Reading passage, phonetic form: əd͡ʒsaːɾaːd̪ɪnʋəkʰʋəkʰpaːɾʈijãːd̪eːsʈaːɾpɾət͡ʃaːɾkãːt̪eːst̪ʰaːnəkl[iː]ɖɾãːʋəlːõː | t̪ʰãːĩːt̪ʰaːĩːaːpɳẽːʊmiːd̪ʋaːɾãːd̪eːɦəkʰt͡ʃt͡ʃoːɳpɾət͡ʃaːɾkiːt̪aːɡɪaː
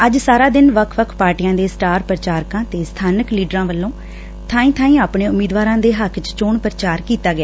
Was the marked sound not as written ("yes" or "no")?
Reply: no